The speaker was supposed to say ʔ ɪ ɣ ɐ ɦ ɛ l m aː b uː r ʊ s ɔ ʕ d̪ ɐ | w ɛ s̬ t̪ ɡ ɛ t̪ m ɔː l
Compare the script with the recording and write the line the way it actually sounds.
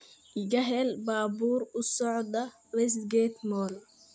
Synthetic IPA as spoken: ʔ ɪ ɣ ɐ ɦ ɛ l b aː b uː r ʊ s ɔ ʕ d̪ ɐ | w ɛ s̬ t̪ ɡ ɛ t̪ m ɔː l